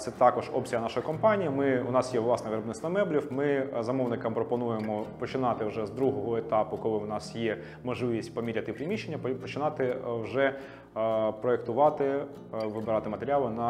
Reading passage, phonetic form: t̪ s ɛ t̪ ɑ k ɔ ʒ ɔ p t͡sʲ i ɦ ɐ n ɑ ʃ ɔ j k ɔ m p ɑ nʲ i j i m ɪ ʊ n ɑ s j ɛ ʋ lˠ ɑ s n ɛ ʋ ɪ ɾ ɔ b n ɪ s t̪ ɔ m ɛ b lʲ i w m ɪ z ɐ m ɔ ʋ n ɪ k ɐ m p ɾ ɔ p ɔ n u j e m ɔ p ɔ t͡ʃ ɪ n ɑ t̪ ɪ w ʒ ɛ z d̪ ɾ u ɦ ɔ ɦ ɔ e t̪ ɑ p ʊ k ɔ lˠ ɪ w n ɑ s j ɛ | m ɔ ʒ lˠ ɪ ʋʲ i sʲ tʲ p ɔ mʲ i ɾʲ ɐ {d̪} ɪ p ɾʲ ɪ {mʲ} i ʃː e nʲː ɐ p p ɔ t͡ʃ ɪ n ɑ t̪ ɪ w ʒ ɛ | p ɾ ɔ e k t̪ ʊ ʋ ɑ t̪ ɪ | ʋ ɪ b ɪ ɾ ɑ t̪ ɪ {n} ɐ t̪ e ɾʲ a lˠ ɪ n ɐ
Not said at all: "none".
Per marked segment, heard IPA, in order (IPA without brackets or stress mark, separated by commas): t̪, mʲ, m